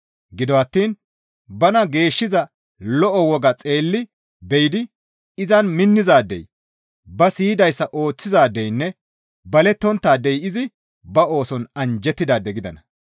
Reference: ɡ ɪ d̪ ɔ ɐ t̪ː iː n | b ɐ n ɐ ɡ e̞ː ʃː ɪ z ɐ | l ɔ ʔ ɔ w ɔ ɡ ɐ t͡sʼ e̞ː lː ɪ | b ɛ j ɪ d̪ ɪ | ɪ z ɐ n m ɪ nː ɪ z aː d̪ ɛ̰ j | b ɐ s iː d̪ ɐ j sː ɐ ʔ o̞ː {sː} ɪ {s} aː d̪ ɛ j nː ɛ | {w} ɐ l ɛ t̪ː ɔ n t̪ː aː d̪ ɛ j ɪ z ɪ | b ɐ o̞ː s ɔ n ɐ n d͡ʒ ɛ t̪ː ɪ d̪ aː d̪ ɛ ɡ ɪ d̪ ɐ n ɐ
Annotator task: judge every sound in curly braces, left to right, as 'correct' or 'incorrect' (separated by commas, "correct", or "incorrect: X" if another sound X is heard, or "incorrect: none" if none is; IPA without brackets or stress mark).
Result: incorrect: t͡sː, incorrect: z, incorrect: b